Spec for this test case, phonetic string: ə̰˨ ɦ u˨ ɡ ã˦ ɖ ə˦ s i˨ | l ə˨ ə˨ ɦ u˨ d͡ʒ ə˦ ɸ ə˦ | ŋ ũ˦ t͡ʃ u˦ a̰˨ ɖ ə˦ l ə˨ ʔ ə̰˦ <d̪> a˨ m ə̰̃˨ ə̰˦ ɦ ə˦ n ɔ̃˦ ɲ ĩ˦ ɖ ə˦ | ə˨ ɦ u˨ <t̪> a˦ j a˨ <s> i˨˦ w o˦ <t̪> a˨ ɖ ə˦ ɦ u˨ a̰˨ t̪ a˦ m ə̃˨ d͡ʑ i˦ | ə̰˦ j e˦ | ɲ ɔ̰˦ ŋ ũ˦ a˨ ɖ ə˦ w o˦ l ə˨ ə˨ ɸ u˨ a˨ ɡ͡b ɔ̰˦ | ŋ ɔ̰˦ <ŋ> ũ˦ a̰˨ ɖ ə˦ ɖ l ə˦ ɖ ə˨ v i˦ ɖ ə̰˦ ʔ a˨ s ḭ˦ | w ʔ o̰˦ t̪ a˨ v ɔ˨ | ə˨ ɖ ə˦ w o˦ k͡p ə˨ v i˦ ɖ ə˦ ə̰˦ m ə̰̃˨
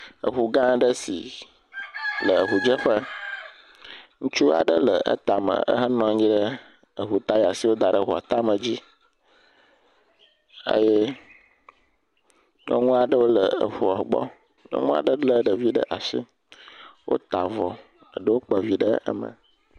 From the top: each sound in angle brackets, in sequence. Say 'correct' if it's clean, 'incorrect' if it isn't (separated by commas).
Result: incorrect, correct, correct, incorrect, correct